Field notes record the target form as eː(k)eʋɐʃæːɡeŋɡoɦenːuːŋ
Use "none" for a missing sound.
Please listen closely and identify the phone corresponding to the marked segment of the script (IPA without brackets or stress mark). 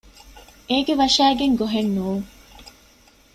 ɡ